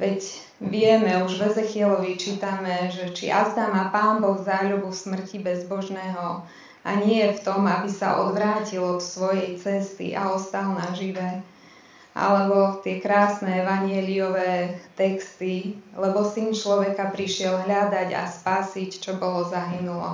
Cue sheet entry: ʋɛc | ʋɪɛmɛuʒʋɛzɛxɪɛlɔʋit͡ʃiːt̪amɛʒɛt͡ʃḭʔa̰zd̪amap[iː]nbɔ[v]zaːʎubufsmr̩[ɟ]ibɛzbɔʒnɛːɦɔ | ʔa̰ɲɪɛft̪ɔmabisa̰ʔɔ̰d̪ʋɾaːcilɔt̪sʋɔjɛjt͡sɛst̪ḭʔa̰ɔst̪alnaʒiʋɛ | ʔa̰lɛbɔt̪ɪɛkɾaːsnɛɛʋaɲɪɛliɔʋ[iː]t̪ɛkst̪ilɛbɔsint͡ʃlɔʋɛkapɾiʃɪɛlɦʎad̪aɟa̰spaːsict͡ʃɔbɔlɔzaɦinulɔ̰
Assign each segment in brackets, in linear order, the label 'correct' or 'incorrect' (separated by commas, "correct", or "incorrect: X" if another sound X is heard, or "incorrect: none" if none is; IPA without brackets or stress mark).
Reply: incorrect: aː, incorrect: ɣ, incorrect: c, incorrect: ɛː